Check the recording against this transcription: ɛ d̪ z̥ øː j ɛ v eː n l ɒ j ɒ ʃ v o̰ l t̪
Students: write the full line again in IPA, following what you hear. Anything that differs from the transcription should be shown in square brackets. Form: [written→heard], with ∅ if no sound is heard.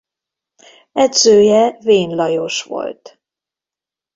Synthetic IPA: ɛ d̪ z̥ øː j ɛ v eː n l ɒ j [ɒ→o] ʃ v o̰ l t̪

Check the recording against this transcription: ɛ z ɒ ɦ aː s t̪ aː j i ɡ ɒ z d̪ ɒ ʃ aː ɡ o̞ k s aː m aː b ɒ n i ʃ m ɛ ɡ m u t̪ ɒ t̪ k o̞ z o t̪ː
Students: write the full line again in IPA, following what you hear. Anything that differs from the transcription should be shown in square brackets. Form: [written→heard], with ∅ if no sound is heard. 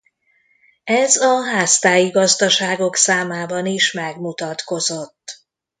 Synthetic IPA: ɛ z ɒ ɦ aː s t̪ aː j i ɡ ɒ z d̪ ɒ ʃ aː ɡ o̞ k s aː m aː b ɒ n i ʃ m ɛ ɡ m u t̪ ɒ t̪ k o̞ z o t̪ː

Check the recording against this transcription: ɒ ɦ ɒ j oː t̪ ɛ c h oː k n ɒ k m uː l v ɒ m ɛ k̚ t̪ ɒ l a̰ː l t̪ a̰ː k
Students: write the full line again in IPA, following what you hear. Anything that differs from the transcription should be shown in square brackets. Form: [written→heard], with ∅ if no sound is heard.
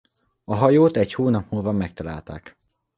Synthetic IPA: ɒ ɦ ɒ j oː t̪ ɛ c h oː [k→∅] n ɒ [k→p] m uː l v ɒ m ɛ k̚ t̪ ɒ l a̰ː l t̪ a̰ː k

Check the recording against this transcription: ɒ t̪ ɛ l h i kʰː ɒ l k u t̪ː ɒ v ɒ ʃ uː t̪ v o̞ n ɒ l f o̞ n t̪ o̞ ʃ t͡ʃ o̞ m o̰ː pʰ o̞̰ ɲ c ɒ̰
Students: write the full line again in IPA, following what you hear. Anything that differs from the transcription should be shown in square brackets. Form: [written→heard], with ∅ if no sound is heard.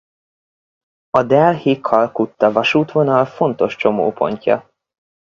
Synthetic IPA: ɒ [t̪→d̪] ɛ l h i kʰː ɒ l k u t̪ː ɒ v ɒ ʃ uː t̪ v o̞ n ɒ l f o̞ n t̪ o̞ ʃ t͡ʃ o̞ m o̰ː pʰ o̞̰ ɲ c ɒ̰

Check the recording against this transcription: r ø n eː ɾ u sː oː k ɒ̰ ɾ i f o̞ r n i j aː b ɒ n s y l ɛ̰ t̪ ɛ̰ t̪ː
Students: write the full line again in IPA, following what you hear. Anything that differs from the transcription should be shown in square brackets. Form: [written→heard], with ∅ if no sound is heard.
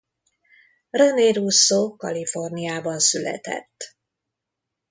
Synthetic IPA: r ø n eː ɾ u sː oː k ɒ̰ [ɾ→l] i f o̞ r n i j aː b ɒ n s y l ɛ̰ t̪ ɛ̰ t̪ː

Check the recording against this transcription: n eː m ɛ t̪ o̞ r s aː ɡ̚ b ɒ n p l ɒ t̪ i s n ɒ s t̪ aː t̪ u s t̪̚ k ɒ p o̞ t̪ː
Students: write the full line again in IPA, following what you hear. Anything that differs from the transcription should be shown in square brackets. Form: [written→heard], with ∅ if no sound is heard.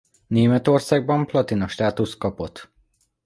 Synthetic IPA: n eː m ɛ t̪ o̞ r s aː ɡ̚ b ɒ [n→m] p l ɒ t̪ i [s→∅] n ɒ [s→ʃ] t̪ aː t̪ u s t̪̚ k ɒ p o̞ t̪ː

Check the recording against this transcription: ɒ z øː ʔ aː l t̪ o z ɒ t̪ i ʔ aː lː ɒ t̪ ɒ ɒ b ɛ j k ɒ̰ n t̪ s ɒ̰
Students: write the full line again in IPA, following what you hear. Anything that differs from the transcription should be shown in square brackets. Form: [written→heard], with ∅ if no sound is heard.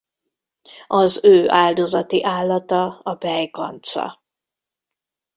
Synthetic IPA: ɒ z øː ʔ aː l [t̪→d̪] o z ɒ t̪ i ʔ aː lː ɒ t̪ ɒ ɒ b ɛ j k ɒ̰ n t̪ s ɒ̰

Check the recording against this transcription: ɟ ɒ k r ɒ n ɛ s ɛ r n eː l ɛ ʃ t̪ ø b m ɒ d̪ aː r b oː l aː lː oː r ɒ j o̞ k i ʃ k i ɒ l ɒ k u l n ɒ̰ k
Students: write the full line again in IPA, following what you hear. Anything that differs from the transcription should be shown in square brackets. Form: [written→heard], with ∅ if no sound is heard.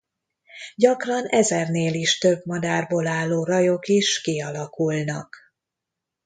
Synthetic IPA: ɟ ɒ k r ɒ n ɛ [s→z] ɛ r n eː l [ɛ→i] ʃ t̪ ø b m ɒ d̪ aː r b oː l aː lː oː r ɒ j o̞ k i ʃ k i ɒ l ɒ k u l n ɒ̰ k

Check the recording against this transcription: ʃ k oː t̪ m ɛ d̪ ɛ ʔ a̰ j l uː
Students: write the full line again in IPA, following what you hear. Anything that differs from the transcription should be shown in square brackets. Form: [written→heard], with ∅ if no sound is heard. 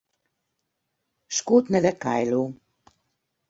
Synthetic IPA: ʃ k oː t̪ [m→n] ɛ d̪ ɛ [ʔ→k] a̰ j l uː

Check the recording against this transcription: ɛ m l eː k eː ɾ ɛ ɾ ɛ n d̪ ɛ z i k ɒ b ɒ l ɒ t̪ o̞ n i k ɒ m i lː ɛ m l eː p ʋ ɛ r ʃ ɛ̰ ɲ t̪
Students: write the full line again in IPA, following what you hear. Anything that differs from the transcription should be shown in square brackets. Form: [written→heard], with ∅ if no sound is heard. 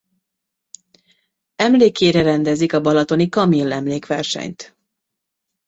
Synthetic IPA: ɛ m l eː k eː ɾ ɛ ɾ ɛ n d̪ ɛ z i k ɒ b ɒ l ɒ t̪ o̞ n i k ɒ m i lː ɛ m l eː [p→k] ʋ ɛ r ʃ ɛ̰ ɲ t̪

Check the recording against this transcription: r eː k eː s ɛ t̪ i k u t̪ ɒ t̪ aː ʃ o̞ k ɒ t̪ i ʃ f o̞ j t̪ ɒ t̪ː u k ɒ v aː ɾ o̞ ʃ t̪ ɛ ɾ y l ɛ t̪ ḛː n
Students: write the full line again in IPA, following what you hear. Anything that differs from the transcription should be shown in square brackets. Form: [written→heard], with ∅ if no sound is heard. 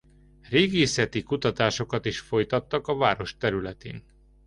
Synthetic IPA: r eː [k→ɡ] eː s ɛ t̪ i k u t̪ ɒ t̪ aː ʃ o̞ k ɒ t̪ i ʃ f o̞ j t̪ ɒ t̪ː [u→ɒ] k ɒ v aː ɾ o̞ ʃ t̪ ɛ ɾ y l ɛ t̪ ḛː n

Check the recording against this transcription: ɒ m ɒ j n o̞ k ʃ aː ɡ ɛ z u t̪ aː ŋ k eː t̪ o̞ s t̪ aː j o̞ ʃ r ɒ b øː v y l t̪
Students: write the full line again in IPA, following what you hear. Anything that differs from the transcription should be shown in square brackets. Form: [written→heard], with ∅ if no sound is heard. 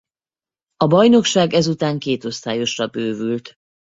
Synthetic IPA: ɒ [m→b] ɒ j n o̞ k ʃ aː ɡ ɛ z u t̪ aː ŋ k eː t̪ o̞ s t̪ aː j o̞ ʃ r ɒ b øː v y l t̪

